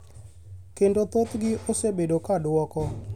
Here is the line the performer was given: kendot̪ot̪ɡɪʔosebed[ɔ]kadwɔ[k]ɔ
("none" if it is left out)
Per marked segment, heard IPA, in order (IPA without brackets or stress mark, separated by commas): o, k